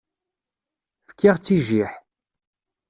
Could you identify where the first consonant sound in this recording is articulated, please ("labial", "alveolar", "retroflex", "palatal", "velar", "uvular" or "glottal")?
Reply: labial